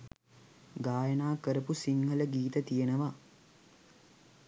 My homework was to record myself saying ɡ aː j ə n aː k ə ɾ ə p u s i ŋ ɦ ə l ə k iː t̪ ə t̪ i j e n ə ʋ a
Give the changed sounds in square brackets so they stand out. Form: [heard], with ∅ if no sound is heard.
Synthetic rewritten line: ɡ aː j ə n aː k ə ɾ ə p u s i ŋ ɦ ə l ə [ɡ] iː t̪ ə t̪ i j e n ə ʋ a